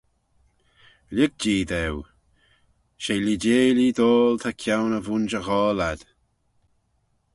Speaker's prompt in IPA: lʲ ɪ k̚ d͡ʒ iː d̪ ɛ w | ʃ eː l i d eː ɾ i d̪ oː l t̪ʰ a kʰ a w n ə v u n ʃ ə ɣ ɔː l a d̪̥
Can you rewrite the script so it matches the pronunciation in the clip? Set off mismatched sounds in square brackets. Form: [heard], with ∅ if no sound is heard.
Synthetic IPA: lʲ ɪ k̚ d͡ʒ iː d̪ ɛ w | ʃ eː l i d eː [l] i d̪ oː l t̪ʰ a kʰ a w n ə v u n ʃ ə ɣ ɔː l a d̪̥